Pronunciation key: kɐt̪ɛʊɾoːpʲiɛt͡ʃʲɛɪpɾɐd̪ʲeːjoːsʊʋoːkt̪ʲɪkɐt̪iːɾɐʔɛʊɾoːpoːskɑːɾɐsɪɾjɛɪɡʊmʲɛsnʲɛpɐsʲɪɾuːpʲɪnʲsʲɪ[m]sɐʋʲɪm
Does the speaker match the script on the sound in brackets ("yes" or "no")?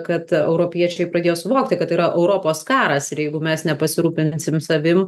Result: yes